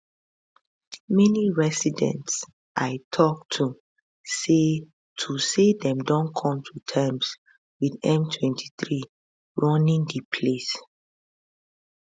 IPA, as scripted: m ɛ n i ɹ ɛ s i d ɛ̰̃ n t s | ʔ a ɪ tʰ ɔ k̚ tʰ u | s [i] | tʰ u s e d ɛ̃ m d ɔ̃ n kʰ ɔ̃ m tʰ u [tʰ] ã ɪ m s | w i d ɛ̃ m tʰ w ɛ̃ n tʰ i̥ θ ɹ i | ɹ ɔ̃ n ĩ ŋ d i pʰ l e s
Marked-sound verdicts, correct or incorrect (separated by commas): incorrect, correct